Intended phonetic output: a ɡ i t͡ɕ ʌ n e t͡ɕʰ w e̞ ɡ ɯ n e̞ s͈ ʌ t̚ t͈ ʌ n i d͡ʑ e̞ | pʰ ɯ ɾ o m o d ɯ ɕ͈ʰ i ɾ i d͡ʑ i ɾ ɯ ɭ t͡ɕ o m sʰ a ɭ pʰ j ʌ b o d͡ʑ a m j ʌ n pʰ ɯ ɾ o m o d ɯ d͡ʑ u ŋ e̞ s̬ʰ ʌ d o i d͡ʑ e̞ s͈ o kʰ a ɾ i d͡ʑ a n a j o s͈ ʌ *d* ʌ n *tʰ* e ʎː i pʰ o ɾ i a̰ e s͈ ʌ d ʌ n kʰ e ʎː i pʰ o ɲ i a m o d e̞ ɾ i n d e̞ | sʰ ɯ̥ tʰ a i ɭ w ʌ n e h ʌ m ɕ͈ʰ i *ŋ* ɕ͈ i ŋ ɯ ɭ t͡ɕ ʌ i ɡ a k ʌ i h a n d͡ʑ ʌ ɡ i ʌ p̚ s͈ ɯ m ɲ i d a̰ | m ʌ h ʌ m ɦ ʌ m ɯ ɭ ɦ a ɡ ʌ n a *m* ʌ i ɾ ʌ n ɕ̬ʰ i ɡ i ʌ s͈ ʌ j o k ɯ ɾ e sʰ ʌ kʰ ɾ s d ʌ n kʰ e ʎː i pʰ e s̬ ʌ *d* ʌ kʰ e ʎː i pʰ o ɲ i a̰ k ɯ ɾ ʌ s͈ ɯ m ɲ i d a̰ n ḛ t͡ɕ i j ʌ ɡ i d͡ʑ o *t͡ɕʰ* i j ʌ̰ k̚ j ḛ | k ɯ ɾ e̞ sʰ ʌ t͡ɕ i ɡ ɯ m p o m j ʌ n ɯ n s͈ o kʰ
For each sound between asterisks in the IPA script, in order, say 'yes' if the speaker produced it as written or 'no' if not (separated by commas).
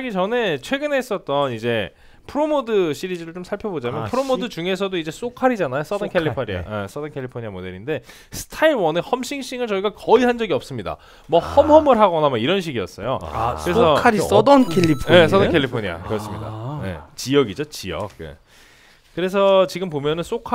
yes, no, yes, yes, yes, no